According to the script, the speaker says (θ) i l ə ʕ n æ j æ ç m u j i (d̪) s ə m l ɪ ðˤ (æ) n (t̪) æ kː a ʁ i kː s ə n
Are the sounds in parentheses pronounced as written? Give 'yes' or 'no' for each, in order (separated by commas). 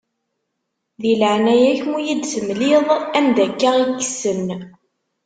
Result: no, yes, yes, no